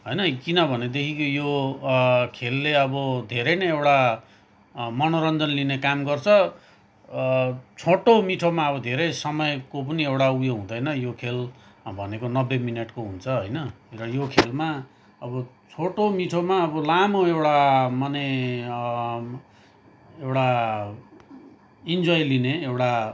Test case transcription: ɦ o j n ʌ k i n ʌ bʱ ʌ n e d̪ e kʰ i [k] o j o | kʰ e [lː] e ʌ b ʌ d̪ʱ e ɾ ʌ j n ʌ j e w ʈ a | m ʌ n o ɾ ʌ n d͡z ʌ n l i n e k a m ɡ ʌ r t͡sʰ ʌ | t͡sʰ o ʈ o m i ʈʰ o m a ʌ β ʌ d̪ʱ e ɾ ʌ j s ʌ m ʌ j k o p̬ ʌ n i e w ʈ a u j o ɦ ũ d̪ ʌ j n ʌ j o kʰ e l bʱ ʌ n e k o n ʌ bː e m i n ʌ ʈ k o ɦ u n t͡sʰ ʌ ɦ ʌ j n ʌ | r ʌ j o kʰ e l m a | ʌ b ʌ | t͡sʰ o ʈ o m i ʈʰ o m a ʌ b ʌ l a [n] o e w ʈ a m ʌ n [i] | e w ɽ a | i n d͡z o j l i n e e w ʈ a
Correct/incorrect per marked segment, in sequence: correct, correct, incorrect: m, incorrect: e

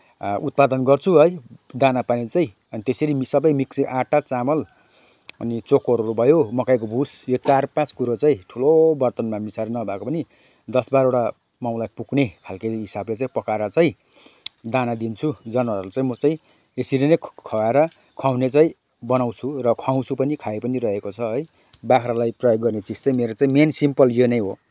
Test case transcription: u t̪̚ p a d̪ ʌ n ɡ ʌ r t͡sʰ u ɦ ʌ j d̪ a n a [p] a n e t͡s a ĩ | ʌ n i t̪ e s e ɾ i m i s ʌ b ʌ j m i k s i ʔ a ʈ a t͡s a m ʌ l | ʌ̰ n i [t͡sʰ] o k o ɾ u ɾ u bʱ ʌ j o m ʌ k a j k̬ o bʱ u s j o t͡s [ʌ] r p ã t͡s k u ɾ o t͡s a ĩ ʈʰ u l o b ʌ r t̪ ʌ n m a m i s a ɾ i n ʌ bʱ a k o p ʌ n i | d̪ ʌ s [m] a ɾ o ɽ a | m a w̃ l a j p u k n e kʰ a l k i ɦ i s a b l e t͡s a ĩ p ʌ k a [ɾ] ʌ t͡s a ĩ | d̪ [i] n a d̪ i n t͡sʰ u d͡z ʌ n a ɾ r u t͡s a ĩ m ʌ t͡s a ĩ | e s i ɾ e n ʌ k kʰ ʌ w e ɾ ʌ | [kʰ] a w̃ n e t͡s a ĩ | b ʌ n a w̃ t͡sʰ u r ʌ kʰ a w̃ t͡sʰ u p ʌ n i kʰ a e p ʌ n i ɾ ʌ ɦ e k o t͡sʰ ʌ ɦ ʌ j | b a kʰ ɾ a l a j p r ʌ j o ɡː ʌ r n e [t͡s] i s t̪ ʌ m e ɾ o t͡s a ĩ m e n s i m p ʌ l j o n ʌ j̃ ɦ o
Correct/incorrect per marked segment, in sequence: correct, incorrect: t͡s, incorrect: a, incorrect: b, correct, incorrect: a, correct, correct

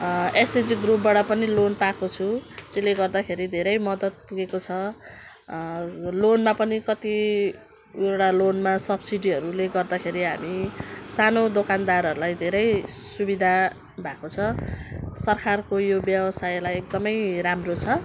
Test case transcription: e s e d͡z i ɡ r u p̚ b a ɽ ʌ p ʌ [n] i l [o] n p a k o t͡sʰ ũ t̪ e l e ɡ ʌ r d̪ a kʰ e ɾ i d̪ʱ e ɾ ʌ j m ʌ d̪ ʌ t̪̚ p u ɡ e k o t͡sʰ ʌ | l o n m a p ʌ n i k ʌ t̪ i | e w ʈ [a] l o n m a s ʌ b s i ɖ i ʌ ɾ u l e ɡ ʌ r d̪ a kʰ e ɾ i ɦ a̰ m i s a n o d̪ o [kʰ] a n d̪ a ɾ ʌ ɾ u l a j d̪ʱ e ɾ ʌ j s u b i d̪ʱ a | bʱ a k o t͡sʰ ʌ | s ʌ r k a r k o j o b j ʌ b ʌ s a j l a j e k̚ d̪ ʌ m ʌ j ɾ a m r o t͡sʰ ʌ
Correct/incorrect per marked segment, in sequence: correct, correct, correct, incorrect: k

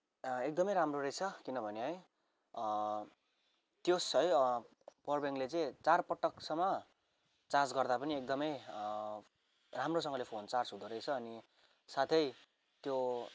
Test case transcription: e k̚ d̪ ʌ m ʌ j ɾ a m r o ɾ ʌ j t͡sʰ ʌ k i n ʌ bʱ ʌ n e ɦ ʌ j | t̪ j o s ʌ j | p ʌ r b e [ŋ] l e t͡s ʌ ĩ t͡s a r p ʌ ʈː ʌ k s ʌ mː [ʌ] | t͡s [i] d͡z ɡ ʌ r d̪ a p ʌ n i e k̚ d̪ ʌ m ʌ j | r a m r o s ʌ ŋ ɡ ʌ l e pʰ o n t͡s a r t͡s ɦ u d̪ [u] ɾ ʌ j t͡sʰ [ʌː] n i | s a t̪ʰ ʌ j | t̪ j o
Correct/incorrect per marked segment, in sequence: correct, correct, incorrect: a, incorrect: o, correct

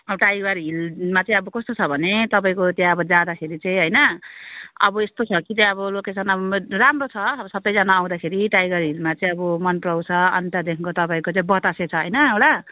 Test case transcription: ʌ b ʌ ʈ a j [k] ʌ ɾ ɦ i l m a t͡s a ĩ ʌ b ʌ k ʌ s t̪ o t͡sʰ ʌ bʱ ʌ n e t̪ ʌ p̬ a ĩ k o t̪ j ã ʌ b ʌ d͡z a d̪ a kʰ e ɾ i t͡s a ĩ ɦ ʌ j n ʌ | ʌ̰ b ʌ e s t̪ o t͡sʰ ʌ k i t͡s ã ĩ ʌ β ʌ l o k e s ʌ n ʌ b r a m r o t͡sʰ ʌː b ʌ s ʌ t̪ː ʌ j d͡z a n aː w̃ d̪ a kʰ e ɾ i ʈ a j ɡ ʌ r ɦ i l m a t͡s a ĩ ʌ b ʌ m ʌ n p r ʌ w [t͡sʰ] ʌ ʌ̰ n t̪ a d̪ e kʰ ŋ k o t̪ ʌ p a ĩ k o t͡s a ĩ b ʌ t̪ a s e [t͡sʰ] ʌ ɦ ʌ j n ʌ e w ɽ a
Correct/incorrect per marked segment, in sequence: incorrect: ɡ, correct, correct

